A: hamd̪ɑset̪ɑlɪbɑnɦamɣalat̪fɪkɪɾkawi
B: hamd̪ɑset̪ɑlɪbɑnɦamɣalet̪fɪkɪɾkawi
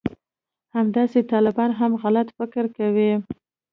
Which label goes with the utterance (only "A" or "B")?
A